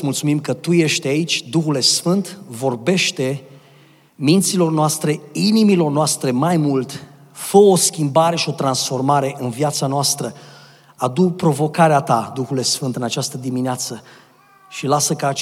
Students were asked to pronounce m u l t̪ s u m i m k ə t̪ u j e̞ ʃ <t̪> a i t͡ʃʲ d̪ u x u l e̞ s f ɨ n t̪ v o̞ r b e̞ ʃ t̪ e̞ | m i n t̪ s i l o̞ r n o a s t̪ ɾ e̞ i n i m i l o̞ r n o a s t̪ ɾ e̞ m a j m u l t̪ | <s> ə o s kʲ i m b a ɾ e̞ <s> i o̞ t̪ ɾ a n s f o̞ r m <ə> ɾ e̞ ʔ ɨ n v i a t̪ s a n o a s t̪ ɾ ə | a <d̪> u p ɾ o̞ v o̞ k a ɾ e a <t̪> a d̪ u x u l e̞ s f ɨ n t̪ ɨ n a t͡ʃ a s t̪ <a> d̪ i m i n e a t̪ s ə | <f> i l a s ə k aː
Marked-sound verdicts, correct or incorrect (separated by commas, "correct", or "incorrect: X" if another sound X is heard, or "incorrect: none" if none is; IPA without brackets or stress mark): correct, incorrect: f, incorrect: ʃ, incorrect: a, correct, correct, incorrect: ə, incorrect: ʃ